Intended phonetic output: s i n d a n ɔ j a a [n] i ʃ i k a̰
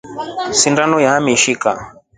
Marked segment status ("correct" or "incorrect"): incorrect